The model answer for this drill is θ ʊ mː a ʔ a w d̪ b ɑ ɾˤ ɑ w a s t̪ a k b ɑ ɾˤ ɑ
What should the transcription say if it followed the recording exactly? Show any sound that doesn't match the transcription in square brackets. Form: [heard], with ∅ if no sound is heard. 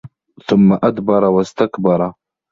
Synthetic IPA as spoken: θ ʊ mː a ʔ a [∅] d̪ b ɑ ɾˤ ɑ w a s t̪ a k b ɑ ɾˤ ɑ